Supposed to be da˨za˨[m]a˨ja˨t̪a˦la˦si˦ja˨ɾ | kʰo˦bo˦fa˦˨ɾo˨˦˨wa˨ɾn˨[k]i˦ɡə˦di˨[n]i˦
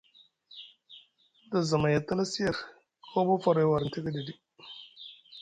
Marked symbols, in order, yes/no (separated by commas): yes, no, no